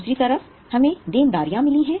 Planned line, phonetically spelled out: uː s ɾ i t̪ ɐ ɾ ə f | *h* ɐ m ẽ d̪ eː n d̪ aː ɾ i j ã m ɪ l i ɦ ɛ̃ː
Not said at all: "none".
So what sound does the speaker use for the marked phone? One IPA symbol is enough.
h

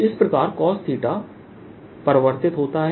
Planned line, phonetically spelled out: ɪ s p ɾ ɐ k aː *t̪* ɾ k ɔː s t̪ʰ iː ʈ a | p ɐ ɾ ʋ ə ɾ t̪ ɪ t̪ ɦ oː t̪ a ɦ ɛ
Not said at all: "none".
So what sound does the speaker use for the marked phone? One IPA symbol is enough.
none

